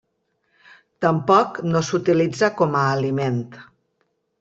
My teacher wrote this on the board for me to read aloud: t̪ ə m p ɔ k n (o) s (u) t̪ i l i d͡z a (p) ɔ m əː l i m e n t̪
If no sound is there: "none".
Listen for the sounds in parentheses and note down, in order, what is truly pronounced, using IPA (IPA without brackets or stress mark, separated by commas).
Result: o, u, k